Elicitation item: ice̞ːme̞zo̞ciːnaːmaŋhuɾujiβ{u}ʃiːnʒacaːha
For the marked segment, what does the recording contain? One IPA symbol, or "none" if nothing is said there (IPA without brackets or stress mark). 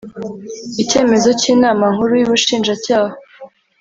u